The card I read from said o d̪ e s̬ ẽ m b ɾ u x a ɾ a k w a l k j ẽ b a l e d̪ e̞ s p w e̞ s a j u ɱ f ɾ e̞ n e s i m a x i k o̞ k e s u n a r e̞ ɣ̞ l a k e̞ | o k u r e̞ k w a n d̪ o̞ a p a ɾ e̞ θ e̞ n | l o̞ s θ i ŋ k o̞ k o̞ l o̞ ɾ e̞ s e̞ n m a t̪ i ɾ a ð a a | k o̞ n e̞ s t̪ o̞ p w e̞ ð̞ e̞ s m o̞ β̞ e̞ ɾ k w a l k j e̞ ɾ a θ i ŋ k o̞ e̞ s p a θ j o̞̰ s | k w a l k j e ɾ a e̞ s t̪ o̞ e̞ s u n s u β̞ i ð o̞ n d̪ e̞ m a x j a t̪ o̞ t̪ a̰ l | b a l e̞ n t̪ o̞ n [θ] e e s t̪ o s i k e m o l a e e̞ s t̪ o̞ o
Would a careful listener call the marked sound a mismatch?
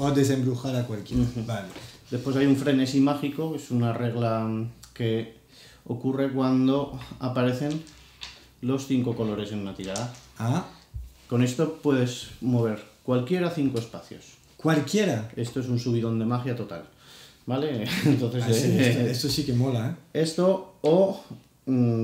no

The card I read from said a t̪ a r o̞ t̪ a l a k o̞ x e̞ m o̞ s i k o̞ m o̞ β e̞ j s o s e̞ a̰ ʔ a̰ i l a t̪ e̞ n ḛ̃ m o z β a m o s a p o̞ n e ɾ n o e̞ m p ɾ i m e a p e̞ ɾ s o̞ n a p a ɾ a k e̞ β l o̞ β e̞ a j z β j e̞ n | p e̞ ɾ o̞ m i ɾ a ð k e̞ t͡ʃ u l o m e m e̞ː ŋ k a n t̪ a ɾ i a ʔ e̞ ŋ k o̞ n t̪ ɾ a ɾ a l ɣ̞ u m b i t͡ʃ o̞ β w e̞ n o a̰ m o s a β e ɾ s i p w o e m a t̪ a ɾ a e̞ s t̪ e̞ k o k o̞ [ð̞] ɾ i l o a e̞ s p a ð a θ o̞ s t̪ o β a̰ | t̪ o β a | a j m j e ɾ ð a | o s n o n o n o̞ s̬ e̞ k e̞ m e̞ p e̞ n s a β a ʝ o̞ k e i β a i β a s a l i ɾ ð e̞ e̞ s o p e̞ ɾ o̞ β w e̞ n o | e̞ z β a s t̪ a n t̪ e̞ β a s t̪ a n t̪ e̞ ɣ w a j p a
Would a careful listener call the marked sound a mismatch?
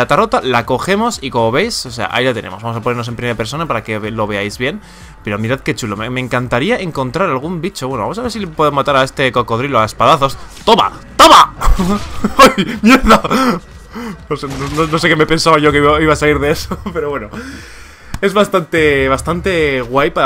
no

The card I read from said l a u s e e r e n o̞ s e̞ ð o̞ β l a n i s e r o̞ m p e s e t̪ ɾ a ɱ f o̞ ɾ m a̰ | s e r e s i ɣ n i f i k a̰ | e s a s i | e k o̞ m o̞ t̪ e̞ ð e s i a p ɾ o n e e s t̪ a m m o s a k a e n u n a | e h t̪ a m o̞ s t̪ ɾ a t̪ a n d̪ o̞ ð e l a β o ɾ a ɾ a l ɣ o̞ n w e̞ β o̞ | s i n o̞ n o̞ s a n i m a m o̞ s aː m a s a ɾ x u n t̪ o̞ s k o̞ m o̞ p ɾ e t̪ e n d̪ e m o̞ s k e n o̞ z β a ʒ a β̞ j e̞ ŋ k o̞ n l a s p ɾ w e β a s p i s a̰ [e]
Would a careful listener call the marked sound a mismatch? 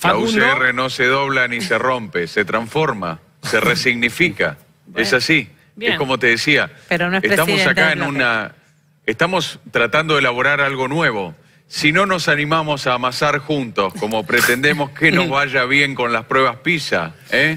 no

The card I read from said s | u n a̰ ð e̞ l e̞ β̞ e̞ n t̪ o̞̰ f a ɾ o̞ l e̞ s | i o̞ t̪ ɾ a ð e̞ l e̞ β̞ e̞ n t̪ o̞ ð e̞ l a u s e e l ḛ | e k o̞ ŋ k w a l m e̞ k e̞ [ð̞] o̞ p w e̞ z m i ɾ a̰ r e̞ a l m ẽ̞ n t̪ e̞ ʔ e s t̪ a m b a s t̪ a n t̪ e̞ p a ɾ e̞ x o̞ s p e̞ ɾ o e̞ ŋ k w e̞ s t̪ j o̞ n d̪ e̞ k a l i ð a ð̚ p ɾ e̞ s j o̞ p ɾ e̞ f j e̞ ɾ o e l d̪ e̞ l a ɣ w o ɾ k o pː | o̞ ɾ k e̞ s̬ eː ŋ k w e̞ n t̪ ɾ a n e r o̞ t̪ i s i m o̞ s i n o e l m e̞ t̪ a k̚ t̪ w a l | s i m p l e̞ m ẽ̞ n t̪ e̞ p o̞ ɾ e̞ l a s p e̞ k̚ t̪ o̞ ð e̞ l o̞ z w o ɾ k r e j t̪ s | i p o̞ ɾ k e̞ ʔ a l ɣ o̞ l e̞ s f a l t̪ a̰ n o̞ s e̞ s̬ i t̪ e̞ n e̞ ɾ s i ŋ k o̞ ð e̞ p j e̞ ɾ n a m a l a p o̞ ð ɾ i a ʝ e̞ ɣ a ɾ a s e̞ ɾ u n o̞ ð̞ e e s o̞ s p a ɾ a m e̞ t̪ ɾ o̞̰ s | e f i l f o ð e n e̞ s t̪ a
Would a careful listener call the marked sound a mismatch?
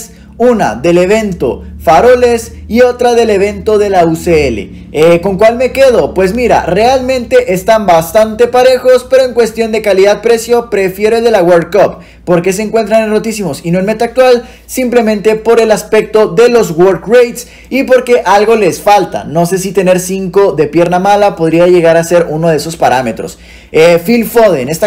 no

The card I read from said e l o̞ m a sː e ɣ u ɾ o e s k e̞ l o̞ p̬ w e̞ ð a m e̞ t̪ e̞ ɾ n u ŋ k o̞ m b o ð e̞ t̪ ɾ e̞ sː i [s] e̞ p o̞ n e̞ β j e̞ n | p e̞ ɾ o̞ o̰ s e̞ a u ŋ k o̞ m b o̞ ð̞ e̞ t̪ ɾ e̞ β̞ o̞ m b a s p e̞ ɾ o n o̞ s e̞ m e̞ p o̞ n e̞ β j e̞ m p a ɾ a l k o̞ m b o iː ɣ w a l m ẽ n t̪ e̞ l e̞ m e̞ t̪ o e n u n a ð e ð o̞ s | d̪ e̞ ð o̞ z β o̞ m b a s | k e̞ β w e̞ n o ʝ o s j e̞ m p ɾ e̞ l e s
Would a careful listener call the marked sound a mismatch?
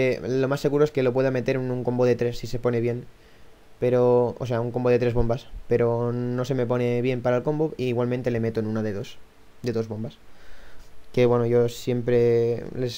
no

